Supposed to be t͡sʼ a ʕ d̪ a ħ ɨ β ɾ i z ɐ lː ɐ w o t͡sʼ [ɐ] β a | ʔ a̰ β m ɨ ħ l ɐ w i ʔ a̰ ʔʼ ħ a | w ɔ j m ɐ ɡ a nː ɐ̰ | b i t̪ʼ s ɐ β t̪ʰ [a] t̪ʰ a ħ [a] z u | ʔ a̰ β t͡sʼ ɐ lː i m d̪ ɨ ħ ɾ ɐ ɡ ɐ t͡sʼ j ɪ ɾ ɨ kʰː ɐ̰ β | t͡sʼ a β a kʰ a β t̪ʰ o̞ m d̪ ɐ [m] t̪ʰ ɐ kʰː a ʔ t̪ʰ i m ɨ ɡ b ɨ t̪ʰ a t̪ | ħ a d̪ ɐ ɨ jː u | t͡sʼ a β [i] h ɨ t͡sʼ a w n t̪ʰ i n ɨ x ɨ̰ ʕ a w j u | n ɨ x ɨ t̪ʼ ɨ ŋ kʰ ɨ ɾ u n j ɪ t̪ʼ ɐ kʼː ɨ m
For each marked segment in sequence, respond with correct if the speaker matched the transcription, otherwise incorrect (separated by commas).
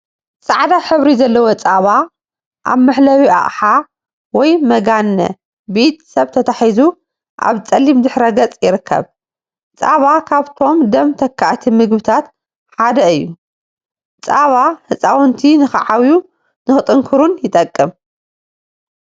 incorrect, incorrect, incorrect, correct, incorrect